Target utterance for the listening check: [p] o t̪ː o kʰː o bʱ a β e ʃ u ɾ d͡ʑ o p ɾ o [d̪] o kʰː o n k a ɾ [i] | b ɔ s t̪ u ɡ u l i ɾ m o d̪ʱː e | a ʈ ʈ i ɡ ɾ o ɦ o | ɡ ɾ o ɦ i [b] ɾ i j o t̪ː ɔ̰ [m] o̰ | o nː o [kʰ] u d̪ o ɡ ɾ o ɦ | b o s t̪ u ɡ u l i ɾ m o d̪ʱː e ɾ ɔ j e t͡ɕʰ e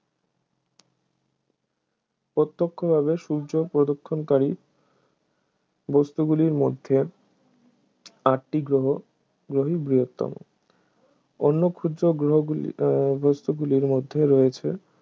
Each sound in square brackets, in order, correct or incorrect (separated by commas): correct, correct, correct, correct, correct, correct